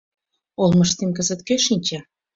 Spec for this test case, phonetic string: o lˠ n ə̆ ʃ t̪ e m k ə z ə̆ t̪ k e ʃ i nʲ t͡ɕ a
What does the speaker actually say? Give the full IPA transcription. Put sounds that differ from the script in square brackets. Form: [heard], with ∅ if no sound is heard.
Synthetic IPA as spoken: o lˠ [m] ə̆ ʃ t̪ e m k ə z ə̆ t̪ k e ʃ i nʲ t͡ɕ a